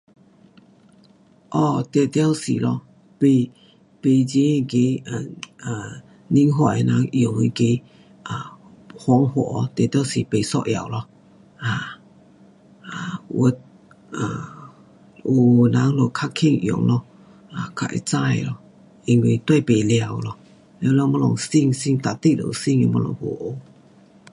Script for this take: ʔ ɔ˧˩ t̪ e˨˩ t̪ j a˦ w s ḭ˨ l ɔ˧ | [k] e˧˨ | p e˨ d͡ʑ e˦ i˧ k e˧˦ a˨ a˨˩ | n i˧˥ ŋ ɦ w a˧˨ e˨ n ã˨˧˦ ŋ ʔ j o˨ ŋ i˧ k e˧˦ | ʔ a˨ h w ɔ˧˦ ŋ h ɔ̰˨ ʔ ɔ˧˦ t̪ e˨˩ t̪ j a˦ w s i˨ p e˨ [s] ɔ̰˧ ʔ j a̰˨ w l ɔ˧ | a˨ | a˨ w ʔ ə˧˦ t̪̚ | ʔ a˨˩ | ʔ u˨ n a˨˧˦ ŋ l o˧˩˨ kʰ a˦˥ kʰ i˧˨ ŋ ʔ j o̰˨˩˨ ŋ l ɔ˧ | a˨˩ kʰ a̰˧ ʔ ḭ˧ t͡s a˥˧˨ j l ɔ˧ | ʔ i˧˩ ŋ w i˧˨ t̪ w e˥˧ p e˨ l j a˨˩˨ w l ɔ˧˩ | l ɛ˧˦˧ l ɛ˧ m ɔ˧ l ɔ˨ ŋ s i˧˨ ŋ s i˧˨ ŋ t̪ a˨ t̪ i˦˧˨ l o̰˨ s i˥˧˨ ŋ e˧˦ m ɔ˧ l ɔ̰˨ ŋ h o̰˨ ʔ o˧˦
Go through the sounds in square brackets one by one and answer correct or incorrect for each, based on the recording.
incorrect, correct

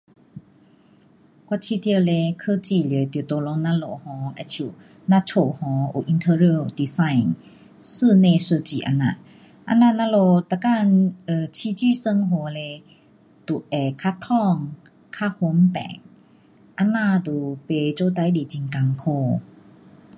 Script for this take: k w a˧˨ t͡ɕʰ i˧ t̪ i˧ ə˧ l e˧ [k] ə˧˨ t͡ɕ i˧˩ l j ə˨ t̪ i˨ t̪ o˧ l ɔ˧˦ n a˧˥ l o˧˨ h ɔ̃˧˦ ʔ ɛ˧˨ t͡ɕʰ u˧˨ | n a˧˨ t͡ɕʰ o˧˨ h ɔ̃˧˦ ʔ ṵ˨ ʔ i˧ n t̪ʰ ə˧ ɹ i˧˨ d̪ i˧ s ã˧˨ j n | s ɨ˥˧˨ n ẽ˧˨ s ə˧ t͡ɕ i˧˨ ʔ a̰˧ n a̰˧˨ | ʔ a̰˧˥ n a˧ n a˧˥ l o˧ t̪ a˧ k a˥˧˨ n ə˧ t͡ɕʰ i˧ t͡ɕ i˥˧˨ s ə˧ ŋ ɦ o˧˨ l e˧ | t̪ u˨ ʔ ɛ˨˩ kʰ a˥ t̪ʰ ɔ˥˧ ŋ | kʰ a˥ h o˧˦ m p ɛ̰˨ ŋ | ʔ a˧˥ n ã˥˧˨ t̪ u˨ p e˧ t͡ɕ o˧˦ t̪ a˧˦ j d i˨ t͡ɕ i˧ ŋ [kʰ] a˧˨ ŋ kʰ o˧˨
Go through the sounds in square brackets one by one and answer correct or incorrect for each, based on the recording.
incorrect, incorrect

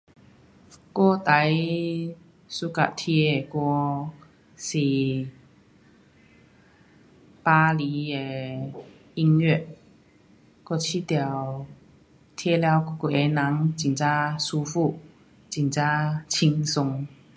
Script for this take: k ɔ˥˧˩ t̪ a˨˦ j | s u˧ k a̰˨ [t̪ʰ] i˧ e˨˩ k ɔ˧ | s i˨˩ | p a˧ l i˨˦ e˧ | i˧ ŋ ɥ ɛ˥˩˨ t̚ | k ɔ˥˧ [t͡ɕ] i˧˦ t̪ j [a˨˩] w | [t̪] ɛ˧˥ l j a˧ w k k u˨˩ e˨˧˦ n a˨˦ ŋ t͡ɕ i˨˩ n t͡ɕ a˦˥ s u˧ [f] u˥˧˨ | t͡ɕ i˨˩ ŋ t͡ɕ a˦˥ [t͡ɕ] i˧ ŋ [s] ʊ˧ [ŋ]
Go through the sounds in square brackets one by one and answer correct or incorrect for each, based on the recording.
correct, incorrect, correct, incorrect, correct, incorrect, correct, correct

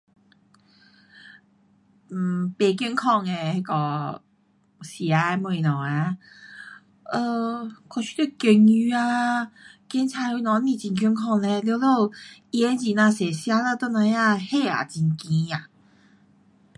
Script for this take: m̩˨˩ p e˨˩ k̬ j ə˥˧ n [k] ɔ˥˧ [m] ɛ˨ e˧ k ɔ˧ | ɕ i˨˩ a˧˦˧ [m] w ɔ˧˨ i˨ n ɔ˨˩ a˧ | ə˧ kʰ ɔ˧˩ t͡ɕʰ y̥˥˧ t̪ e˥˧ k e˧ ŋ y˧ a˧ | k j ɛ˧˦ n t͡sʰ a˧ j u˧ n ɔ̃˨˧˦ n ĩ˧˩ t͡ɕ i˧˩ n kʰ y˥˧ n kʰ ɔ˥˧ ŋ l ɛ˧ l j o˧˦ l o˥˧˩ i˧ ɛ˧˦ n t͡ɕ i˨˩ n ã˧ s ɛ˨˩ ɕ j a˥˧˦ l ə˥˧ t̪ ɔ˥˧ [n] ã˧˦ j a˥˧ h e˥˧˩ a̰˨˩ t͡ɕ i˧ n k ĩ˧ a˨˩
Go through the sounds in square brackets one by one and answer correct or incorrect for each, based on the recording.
incorrect, incorrect, correct, correct

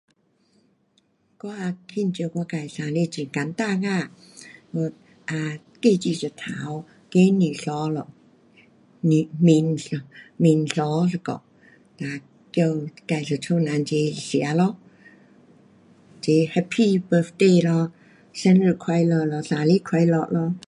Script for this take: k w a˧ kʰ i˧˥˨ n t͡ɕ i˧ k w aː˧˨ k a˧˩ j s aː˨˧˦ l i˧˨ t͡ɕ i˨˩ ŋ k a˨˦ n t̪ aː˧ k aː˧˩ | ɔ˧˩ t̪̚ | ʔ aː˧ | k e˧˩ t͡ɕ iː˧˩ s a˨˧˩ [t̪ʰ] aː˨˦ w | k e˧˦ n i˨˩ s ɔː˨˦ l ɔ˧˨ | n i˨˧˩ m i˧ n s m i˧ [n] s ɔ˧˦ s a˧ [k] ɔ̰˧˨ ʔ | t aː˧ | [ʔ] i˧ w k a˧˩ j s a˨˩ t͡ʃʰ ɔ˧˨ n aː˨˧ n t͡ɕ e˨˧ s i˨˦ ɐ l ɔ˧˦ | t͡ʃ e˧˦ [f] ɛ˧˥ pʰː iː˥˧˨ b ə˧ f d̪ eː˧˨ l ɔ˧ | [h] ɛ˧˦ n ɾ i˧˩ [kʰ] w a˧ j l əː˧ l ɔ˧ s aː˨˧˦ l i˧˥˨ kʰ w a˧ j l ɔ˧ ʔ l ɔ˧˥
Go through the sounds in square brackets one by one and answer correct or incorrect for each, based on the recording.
correct, correct, correct, incorrect, incorrect, incorrect, correct

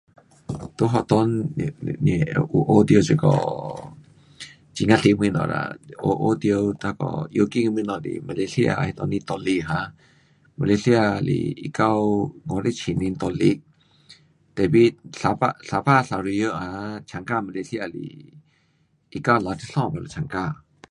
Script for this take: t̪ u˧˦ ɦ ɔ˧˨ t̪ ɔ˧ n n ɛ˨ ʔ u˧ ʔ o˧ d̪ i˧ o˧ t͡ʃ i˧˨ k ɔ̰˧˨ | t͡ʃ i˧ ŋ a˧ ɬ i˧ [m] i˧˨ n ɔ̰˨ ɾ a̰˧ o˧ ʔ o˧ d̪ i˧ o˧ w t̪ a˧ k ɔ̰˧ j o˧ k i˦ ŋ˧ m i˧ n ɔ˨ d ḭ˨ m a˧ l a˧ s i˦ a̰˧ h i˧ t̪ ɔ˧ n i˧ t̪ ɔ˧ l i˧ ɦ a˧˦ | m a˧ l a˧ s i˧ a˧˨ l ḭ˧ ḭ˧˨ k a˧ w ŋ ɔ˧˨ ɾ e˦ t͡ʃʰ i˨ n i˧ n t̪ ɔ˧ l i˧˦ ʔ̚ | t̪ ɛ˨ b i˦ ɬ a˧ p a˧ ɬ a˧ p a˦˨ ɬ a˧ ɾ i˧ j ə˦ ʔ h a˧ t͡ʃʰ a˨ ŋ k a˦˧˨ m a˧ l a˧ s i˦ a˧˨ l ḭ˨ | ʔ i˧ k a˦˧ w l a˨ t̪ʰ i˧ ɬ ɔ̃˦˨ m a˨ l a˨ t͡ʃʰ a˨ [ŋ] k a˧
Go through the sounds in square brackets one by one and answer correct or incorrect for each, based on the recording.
correct, correct

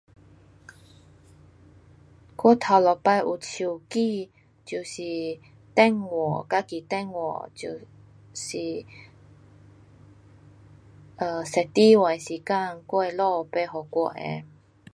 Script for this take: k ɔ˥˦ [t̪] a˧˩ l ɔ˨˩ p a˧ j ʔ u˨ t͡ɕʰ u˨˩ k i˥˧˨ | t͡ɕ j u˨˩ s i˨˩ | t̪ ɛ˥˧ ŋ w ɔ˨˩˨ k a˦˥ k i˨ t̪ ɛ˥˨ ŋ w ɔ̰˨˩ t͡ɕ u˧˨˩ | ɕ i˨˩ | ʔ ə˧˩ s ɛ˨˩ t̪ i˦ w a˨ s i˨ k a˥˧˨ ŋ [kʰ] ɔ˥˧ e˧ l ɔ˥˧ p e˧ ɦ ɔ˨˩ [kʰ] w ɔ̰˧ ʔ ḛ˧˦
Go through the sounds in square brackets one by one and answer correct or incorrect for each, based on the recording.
incorrect, incorrect, incorrect

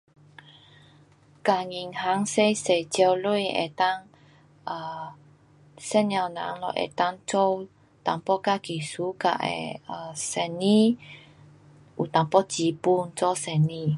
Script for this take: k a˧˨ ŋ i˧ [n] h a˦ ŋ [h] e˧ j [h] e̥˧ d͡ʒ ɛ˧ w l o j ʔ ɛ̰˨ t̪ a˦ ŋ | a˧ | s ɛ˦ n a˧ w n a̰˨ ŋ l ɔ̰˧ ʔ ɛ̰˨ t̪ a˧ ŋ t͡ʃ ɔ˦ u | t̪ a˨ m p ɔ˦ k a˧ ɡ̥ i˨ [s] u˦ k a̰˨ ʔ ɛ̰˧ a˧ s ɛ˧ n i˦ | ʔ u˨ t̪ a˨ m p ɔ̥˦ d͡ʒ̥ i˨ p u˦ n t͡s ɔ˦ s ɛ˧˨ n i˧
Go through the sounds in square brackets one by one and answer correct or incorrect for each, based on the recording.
incorrect, incorrect, incorrect, correct

